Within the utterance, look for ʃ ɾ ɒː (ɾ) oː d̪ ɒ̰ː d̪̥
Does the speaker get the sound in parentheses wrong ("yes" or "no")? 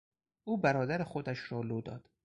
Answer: yes